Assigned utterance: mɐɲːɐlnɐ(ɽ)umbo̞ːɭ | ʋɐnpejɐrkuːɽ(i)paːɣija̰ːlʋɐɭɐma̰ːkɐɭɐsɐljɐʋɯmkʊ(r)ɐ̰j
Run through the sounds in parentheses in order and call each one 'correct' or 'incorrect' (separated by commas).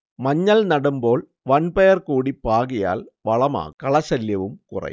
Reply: correct, correct, correct